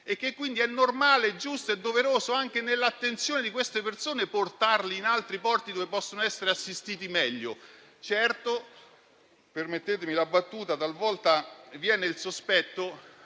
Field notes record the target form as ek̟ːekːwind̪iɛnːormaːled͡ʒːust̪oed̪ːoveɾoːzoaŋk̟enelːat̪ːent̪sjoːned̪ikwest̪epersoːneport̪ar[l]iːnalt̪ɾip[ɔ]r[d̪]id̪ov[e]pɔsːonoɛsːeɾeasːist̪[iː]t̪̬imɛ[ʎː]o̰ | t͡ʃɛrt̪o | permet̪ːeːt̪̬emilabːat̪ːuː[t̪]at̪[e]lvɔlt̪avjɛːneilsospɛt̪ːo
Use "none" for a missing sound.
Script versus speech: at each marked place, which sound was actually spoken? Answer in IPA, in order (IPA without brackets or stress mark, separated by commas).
l, ɔ, t̪, e, iː, ʎː, t̪, a